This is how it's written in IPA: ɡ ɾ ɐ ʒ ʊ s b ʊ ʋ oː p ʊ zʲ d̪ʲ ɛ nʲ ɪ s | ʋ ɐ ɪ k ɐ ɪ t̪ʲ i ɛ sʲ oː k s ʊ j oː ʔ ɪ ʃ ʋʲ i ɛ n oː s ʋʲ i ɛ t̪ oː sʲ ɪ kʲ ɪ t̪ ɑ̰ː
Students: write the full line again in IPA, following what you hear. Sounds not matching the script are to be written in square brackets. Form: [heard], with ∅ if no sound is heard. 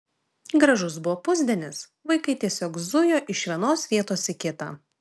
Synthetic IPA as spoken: ɡ ɾ ɐ ʒ ʊ s b ʊ ʋ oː p ʊ zʲ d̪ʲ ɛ nʲ ɪ s | ʋ ɐ ɪ k ɐ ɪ t̪ʲ i ɛ sʲ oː k [z] ʊ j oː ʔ ɪ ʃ ʋʲ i ɛ n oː s ʋʲ i ɛ t̪ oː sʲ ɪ kʲ ɪ t̪ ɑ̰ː